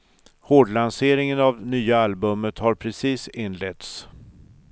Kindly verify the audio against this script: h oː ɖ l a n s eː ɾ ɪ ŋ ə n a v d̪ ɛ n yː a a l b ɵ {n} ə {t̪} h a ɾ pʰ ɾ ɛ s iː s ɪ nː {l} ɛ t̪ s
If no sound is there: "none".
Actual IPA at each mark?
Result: m, t̪, l

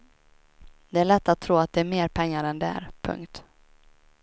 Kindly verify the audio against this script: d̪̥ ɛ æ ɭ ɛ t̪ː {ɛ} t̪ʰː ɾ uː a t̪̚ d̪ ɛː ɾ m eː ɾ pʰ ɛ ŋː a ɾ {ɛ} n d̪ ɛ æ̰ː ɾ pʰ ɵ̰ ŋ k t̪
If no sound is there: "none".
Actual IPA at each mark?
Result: a, ɛ

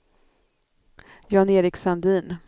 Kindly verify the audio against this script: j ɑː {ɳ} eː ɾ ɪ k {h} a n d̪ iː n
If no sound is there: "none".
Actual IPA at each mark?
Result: n, s

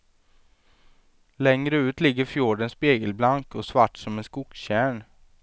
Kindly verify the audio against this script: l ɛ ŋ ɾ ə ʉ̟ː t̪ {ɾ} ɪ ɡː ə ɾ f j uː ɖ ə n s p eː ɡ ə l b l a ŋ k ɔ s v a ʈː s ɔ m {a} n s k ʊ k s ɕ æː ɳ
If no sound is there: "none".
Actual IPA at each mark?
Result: l, ɛ

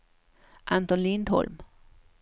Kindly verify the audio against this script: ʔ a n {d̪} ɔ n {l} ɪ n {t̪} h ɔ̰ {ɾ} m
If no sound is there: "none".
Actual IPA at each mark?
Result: t̪, l, d̪, l

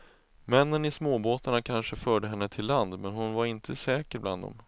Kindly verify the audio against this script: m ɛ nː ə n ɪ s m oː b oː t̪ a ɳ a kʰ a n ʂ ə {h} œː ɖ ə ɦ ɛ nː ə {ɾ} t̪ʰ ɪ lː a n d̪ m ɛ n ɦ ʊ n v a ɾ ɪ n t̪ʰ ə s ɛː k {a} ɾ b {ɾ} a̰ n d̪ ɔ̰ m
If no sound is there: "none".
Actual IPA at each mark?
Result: f, none, ə, l

